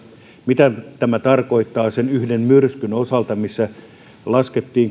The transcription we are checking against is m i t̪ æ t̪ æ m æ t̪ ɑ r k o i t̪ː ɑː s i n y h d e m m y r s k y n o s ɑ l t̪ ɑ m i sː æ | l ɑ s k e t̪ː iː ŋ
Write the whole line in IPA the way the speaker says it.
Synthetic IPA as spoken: m i t̪ æ t̪ æ m æ t̪ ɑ r k o i t̪ː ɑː s e n y h d e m m y r s k y n o s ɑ l t̪ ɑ m i sː æ | l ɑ s k e t̪ː iː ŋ